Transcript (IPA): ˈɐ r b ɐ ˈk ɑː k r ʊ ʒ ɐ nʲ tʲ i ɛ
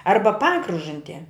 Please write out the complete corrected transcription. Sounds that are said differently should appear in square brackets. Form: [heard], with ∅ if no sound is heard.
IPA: ˈɐ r b ɐ [ˈp] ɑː k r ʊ ʒ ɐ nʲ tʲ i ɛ